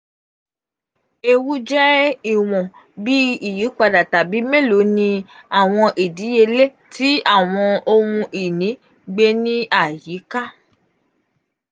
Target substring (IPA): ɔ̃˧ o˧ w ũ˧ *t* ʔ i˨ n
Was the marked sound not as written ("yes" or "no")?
yes